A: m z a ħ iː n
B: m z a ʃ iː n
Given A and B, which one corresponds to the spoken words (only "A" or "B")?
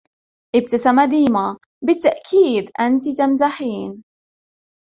A